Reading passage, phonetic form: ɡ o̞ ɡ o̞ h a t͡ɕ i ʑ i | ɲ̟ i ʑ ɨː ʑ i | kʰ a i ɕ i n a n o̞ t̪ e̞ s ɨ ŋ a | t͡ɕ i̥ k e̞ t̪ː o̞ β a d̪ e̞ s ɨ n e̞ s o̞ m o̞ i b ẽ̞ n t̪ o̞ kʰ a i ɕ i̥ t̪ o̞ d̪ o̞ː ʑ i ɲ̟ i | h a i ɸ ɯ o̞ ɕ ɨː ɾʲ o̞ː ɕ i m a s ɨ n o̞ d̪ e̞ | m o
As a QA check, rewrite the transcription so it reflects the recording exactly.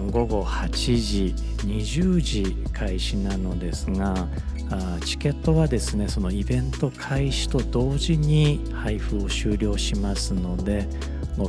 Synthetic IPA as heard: ɡ o̞ ɡ o̞ h a t͡ɕ i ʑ i | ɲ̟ i ʑ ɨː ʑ i | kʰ a i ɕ i n a n o̞ d̪ e̞ s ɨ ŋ a | t͡ɕ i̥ k e̞ t̪ː o̞ β a d̪ e̞ s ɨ n e̞ s o̞ n o̞ i b ẽ̞ n t̪ o̞ kʰ a i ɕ i̥ t̪ o̞ d̪ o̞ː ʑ i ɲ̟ i | h a i ɸ ɯ o̞ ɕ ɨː ɾʲ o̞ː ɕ i m a s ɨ n o̞ d̪ e̞ | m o